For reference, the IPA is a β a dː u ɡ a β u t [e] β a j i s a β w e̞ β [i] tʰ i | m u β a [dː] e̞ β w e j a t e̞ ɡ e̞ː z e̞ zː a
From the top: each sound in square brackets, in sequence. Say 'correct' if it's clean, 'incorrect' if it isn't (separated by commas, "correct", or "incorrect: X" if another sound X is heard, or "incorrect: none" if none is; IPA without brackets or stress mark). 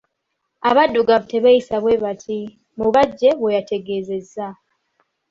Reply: correct, incorrect: a, incorrect: ɟː